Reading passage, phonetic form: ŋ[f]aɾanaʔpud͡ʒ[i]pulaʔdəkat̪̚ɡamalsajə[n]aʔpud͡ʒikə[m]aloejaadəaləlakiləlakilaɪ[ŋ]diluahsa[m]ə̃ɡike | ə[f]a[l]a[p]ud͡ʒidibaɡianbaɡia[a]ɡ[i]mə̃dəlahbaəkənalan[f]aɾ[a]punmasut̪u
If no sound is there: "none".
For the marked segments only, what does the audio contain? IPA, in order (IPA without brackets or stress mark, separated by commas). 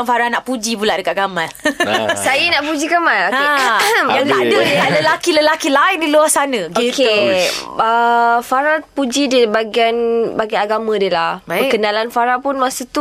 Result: f, i, n, m, n, n, f, ɾ, p, a, a, f, a